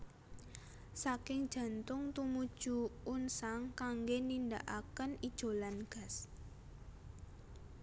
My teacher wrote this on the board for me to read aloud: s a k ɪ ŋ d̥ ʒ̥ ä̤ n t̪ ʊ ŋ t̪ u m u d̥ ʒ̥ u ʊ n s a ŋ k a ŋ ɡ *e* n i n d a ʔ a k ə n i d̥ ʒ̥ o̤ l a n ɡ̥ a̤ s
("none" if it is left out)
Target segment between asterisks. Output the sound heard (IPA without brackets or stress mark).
e